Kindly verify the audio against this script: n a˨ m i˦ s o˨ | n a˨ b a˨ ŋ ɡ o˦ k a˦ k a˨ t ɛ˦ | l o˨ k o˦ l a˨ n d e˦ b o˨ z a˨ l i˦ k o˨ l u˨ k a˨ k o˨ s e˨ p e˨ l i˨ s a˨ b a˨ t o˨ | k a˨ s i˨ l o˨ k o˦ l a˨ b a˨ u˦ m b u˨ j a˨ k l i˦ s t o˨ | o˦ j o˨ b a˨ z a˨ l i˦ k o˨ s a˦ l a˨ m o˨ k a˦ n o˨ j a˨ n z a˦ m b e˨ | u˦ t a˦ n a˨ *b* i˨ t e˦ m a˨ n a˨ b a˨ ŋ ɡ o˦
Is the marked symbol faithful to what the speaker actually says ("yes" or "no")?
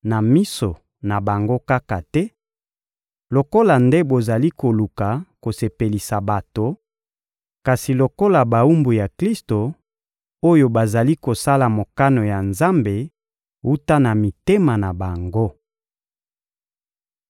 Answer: no